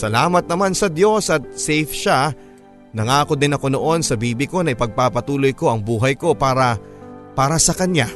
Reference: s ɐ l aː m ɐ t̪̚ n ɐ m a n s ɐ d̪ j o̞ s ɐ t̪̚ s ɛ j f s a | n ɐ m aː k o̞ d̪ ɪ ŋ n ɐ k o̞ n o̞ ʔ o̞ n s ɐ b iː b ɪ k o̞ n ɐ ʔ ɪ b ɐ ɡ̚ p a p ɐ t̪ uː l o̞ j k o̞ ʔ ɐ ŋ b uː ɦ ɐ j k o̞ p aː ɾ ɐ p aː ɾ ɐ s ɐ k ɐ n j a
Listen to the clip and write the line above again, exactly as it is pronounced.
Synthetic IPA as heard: s ɐ l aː m ɐ t̪̚ n ɐ m a n s ɐ d̪ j o̞ s ɐ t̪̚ s ɛ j f ʃ a | n ɐ ŋ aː k o̞ d̪ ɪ n ɐ k o̞ n o̞ ʔ o̞ n s ɐ b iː b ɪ k o̞ n ɐ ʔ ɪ p ɐ ɡ̚ p a p ɐ t̪ uː l o̞ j k o̞ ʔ ɐ ŋ b uː ɦ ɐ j k o̞ p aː ɾ ɐ p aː ɾ ɐ s ɐ k ɐ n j a